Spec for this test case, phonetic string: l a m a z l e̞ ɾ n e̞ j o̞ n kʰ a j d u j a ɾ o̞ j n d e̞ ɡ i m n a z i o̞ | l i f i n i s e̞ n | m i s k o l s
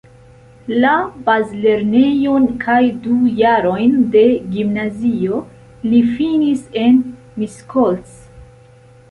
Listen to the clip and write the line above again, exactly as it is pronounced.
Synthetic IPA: l a b a z l e̞ ɾ n e̞ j o̞ n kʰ a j d u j a ɾ o̞ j n d e̞ ɡ i m n a z i o̞ | l i f i n i s e̞ n | m i s k o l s